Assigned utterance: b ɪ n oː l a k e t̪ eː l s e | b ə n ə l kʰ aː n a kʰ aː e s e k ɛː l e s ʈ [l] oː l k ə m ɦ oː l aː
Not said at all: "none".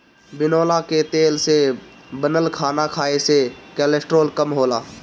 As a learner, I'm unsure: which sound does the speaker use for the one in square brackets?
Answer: ɾ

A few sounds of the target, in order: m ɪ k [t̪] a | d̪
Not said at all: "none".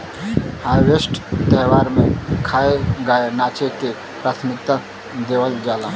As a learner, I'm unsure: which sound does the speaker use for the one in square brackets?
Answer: t̪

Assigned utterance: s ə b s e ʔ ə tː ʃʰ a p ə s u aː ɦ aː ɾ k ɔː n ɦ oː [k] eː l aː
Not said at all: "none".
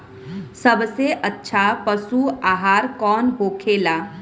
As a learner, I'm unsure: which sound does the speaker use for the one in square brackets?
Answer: kʰ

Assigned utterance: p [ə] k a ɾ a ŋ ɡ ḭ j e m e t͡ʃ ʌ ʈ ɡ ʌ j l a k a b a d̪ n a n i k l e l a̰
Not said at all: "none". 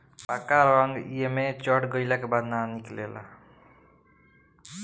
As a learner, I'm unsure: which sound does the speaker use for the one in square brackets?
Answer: a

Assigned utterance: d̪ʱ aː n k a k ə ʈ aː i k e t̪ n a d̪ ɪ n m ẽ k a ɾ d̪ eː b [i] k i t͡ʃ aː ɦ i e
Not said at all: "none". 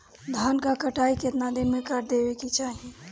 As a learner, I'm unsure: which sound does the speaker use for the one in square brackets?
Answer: e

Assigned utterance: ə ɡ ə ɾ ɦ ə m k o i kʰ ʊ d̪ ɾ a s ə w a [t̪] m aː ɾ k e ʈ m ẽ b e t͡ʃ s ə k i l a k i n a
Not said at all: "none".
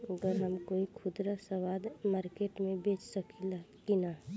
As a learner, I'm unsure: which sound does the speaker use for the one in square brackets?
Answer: d̪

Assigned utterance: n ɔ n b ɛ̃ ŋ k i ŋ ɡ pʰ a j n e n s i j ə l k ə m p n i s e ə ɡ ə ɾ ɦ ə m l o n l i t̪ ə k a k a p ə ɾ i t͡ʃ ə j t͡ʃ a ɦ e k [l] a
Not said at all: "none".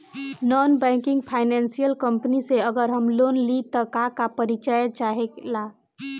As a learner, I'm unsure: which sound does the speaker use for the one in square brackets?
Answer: l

